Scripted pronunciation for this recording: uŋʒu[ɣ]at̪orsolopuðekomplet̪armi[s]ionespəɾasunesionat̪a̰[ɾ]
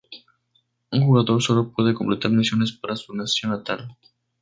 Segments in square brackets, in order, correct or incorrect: correct, correct, incorrect: l

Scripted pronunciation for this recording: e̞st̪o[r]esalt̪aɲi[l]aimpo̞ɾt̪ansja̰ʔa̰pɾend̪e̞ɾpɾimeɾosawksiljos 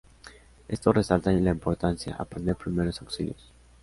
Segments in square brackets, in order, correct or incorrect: correct, correct

